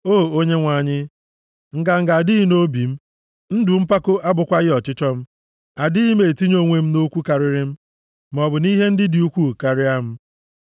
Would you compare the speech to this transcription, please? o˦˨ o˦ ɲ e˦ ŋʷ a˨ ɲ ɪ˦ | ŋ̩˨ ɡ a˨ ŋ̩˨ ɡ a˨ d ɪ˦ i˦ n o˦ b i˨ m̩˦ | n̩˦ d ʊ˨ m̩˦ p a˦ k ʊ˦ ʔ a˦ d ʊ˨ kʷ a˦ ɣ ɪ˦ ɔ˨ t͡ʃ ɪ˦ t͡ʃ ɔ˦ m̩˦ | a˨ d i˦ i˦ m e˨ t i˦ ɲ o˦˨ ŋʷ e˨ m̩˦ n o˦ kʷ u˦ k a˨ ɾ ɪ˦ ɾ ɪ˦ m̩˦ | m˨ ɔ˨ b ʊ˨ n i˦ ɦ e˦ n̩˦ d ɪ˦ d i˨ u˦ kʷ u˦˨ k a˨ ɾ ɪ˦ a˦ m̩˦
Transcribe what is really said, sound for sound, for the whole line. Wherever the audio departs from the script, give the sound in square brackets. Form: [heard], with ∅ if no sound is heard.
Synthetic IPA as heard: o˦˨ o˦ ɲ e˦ ŋʷ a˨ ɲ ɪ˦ | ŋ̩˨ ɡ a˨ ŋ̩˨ ɡ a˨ d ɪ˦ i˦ n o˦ b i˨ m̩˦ | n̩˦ d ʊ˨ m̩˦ p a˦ k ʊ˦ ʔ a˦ [b] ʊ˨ kʷ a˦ ɣ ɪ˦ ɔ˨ t͡ʃ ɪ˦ t͡ʃ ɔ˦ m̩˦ | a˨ d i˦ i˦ m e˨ t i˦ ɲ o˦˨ ŋʷ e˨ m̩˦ n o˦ kʷ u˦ k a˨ ɾ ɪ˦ ɾ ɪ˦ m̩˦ | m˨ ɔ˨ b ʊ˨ n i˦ ɦ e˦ n̩˦ d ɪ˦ d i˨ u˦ kʷ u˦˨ k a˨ ɾ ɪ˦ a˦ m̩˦

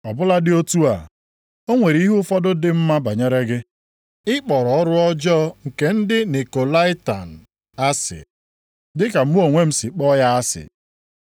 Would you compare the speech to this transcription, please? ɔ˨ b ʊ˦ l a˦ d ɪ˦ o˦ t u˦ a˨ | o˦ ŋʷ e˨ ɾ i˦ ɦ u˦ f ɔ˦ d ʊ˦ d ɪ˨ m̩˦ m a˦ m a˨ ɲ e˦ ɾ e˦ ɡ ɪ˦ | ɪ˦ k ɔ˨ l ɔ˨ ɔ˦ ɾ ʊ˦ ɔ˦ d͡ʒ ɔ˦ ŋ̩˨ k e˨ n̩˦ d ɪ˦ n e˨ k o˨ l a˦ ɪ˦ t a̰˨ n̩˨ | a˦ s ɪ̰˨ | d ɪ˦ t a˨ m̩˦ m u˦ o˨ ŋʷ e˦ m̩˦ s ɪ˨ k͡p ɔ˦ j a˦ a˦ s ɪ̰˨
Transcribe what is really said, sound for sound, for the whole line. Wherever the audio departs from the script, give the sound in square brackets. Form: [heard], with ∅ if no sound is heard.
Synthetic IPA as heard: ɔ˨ b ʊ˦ l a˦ d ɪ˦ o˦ t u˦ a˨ | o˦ ŋʷ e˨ ɾ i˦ ɦ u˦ f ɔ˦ d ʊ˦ d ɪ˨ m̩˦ m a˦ [b] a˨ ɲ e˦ ɾ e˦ ɡ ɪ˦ | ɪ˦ [k͡p] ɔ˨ [ɾ] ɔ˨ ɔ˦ ɾ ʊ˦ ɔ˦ d͡ʒ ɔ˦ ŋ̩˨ k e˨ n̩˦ d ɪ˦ n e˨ k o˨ l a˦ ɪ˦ t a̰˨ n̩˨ | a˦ s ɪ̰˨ | d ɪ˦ [k] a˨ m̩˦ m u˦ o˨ ŋʷ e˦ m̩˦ s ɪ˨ k͡p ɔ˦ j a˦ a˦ s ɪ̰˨

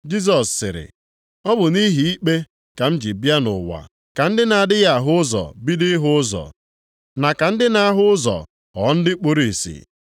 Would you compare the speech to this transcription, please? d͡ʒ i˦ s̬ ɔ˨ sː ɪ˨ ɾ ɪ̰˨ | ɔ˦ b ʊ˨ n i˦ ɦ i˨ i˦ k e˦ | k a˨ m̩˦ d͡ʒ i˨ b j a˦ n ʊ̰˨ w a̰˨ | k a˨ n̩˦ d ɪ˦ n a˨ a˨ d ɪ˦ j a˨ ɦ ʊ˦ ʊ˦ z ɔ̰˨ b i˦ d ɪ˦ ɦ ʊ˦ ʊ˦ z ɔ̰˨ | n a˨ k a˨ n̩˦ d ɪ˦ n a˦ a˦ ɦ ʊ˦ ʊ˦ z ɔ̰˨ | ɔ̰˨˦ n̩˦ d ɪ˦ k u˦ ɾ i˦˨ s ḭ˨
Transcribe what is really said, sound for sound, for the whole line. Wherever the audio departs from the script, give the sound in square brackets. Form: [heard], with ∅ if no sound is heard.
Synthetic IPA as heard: d͡ʒ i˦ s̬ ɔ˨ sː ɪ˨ ɾ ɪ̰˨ | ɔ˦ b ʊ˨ n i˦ ɦ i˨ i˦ [k͡p] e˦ | k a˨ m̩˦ d͡ʒ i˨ b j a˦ n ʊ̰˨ w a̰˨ | k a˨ n̩˦ d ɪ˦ n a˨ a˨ d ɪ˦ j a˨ ɦ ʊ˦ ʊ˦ z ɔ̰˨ b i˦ d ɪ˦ ɦ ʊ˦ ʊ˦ z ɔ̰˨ | n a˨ k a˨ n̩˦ d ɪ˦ n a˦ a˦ ɦ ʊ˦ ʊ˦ z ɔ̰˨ | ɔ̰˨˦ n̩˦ d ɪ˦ [k͡p] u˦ ɾ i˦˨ s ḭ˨

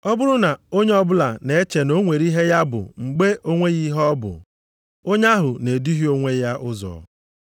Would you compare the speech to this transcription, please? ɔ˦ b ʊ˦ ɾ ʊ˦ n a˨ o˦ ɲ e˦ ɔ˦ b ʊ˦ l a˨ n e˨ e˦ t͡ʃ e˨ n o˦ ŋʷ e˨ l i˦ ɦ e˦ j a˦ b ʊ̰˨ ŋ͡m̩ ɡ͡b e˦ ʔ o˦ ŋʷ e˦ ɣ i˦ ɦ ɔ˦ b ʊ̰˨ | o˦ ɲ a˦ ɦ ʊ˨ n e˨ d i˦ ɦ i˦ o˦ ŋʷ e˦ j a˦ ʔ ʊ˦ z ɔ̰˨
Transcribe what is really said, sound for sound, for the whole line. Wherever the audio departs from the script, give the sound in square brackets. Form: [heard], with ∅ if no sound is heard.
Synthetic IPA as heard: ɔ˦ b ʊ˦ ɾ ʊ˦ n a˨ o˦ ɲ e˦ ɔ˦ b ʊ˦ l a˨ n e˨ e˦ t͡ʃ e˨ n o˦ ŋʷ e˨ [ɾ] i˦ ɦ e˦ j a˦ b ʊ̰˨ ŋ͡m̩ ɡ͡b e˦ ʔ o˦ ŋʷ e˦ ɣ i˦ ɦ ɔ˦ b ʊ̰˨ | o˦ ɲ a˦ ɦ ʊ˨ n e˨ d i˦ ɦ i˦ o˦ ŋʷ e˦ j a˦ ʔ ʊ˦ z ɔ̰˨

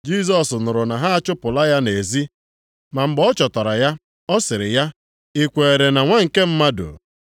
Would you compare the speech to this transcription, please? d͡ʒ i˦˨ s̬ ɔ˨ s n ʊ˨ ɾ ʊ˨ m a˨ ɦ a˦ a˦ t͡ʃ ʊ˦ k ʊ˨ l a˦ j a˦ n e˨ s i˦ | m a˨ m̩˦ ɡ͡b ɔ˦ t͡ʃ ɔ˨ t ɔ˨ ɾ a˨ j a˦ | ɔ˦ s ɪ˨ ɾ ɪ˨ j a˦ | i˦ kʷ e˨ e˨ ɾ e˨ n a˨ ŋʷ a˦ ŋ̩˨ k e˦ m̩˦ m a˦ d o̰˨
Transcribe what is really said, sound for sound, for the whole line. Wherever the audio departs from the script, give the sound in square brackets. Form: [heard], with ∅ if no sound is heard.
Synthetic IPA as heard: d͡ʒ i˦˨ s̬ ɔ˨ s n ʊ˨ ɾ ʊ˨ [n] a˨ ɦ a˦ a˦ t͡ʃ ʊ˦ [p] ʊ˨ l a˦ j a˦ n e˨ [z] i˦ | m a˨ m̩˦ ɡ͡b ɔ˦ t͡ʃ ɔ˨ t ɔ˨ ɾ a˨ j a˦ | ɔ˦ s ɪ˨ ɾ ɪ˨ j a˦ | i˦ kʷ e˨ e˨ ɾ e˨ n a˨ ŋʷ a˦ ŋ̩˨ k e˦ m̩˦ m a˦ d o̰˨

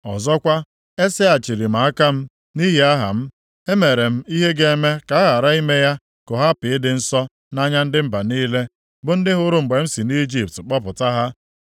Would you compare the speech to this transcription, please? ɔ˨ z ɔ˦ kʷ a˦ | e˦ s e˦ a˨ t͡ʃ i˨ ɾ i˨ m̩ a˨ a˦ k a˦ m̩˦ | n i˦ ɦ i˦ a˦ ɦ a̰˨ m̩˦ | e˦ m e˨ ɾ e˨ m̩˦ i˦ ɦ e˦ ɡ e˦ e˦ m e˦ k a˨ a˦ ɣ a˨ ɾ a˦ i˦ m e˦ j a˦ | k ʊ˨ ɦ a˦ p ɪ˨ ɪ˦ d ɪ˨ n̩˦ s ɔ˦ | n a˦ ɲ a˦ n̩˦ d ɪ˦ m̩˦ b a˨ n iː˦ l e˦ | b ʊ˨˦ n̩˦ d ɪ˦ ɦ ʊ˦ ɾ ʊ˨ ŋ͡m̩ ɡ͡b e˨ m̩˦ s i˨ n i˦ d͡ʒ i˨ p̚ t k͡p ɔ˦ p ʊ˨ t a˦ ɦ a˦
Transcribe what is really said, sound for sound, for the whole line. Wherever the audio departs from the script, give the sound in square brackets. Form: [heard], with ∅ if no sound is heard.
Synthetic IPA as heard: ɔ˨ z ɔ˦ kʷ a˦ | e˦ s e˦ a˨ t͡ʃ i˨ ɾ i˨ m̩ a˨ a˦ k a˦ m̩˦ | n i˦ ɦ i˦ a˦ ɦ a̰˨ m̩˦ | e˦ m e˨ ɾ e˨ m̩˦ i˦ ɦ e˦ ɡ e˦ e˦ m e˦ k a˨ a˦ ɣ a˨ ɾ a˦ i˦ m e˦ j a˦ | k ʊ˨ ɦ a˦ p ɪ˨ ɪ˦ d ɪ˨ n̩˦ s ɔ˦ | n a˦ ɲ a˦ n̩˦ d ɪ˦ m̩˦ b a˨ n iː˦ l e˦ | b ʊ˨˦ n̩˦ d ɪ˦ ɦ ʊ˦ ɾ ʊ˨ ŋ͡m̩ ɡ͡b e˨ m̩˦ s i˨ n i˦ d͡ʒ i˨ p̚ t k͡p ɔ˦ p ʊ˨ t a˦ ɦ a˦

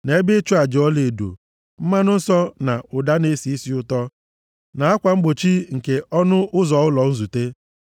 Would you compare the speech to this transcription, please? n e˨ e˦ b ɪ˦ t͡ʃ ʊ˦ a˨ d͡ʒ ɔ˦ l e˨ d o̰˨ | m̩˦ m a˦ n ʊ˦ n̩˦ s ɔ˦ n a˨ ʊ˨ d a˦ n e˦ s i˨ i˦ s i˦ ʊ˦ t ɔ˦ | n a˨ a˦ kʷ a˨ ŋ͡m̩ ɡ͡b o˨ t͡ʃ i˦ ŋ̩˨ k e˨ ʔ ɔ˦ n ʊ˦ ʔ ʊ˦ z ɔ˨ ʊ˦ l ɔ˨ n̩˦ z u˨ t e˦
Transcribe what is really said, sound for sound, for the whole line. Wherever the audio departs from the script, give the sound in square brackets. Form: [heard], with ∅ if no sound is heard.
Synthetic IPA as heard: n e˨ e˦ b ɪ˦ t͡ʃ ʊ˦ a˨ d͡ʒ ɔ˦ l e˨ d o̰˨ | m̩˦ m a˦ n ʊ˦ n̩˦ s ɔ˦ n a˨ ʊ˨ d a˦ n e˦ s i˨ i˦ s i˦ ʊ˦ t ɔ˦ | n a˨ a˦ kʷ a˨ ŋ͡m̩ ɡ͡b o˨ t͡ʃ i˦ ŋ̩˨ k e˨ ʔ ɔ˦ n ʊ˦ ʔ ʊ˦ z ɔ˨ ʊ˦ l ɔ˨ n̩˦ z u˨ t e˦

